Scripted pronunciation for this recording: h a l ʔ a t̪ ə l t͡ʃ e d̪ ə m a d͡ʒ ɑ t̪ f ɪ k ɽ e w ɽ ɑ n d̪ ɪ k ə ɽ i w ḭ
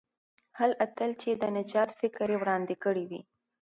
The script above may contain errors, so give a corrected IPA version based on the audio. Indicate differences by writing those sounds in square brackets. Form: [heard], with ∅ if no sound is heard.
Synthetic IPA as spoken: h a l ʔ a t̪ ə l t͡ʃ e d̪ ə [n] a d͡ʒ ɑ t̪ f ɪ k [ɾ] e w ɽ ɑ n d̪ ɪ k ə ɽ i w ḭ

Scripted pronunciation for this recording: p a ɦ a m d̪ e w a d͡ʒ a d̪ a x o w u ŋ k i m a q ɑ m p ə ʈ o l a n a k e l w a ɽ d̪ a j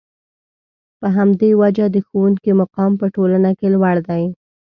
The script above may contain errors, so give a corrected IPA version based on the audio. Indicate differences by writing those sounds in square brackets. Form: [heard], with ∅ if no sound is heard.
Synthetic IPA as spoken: p [ə] ɦ a m d̪ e w a d͡ʒ a d̪ [ə] x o w u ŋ k i m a q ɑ m p ə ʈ o l a n a k e l w a ɽ d̪ a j

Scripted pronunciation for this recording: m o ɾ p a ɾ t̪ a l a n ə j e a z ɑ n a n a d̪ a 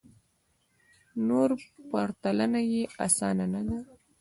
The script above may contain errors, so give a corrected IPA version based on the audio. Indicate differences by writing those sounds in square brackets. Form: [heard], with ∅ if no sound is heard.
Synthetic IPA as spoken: [n] o ɾ p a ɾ t̪ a l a n [a] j e a [s] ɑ n a n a d̪ a

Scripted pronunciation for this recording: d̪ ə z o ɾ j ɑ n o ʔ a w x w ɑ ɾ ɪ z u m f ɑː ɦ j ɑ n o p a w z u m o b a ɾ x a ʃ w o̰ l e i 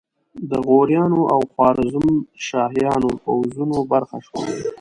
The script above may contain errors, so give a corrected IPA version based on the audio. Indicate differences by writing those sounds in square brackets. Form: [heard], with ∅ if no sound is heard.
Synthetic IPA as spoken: d̪ ə [ɣ] o ɾ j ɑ n o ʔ a w x w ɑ ɾ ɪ z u m [ʃ] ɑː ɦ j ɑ n o p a w z u [n] o b a ɾ x a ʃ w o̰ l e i

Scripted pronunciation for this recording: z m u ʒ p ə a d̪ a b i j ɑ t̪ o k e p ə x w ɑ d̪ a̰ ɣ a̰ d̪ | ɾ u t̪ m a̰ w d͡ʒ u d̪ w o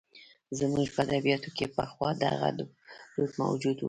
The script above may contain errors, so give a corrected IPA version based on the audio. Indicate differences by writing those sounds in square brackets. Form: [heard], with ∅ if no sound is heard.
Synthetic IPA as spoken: z m u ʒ p ə a d̪ a b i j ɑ t̪ o k e p ə x w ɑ d̪ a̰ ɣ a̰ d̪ | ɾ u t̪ m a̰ w d͡ʒ u d̪ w [u]

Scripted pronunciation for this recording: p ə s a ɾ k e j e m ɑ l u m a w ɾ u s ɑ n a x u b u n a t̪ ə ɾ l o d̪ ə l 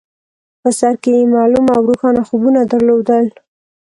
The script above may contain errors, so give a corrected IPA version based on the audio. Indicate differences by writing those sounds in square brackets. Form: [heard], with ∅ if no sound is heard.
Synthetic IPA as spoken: p ə s a ɾ k e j e m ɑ l u m a w ɾ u [x] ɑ n a x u b u n a [d̪] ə ɾ l o d̪ ə l

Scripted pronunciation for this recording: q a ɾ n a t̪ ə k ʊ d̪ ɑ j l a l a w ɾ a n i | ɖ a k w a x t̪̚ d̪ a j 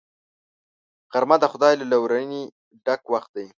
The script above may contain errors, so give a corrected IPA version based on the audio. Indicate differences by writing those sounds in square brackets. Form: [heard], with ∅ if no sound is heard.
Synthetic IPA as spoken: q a ɾ [m] a [d̪] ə [x] ʊ d̪ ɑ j l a l a w ɾ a n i | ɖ a k w a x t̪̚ d̪ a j

